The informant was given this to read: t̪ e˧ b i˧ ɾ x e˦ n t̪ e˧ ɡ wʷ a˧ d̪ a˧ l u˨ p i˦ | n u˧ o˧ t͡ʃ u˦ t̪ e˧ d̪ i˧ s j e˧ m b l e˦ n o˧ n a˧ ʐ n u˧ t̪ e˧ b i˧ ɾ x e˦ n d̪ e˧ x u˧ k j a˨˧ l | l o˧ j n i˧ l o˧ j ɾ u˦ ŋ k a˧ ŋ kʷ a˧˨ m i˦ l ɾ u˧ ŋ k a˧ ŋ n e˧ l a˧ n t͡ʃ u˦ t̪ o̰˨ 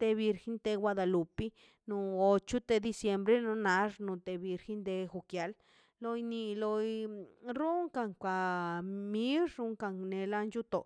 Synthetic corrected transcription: t̪ e˧ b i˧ ɾ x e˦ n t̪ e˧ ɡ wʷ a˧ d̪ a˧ l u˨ p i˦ | n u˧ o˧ t͡ʃ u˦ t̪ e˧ d̪ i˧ s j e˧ m b ɾ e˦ n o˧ n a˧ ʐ n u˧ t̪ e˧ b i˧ ɾ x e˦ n d̪ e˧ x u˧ k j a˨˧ l | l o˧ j n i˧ l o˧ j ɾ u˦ ŋ k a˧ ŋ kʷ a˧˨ m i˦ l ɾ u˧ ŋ k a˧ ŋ n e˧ l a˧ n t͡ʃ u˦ t̪ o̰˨